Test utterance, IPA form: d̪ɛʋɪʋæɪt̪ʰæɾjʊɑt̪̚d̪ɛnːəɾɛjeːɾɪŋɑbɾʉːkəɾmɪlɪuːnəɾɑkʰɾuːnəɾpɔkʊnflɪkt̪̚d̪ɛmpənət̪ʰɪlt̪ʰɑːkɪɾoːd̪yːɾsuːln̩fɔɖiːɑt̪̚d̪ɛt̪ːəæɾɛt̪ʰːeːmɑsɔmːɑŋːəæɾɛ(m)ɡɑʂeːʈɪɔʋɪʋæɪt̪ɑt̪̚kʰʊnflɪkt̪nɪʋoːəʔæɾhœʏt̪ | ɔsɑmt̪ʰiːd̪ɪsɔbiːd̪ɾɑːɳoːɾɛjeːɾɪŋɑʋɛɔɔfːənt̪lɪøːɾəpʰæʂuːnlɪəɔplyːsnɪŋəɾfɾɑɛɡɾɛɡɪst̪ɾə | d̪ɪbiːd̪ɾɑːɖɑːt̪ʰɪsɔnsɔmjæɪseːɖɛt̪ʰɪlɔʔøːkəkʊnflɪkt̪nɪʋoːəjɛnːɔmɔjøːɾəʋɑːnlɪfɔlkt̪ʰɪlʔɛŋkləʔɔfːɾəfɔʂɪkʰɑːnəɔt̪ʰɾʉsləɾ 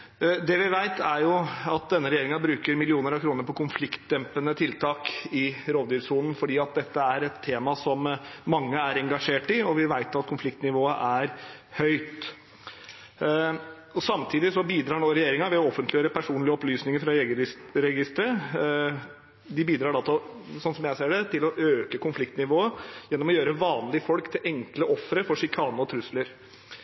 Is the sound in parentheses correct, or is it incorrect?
incorrect